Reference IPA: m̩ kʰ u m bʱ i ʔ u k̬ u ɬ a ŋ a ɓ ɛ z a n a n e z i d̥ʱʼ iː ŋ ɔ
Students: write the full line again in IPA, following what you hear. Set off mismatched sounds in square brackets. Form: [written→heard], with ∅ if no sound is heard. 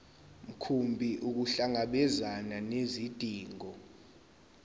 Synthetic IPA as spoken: m̩ kʰ u m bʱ i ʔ u k̬ u ɬ a ŋ a ɓ ɛ z a n a n e z i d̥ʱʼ iː ŋ ɔ